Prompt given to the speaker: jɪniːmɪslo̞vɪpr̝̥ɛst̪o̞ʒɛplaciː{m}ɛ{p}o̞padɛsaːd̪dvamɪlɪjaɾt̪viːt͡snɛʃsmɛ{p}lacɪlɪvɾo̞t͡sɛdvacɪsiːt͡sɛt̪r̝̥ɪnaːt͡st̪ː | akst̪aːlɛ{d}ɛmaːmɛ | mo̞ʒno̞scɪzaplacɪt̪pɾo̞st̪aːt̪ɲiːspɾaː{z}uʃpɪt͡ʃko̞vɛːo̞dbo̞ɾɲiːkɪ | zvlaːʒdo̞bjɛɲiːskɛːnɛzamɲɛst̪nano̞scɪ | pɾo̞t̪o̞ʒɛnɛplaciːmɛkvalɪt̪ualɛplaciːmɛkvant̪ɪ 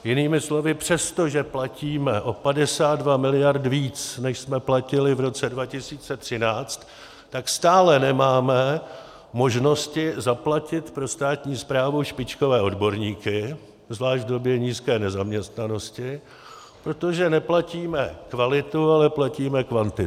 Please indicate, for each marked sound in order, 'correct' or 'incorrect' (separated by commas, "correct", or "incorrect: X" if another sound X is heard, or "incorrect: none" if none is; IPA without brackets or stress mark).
correct, incorrect: ʔ, correct, incorrect: n, incorrect: v